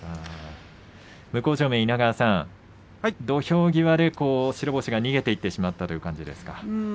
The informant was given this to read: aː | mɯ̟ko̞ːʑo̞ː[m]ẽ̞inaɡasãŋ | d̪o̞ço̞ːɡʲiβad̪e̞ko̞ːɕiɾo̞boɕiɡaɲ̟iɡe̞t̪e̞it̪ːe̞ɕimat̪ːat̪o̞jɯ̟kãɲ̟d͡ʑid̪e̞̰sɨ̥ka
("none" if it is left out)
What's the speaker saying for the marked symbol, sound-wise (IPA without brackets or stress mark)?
m